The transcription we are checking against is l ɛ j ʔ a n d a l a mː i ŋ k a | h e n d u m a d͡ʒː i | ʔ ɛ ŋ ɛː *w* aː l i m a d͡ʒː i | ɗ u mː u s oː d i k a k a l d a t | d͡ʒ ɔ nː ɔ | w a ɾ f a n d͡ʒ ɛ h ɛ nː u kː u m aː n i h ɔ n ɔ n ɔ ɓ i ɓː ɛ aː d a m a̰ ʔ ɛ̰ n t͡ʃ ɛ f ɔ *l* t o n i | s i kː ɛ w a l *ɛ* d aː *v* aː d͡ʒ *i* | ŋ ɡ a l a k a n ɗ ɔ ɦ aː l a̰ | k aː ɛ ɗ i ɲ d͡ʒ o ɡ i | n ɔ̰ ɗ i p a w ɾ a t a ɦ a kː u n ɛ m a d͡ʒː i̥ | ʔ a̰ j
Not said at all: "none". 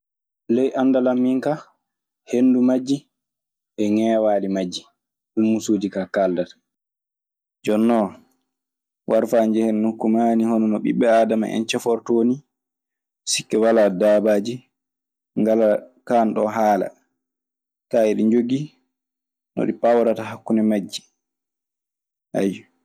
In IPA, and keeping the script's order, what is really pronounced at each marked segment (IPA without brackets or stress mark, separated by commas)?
w, ɾ, a, b, i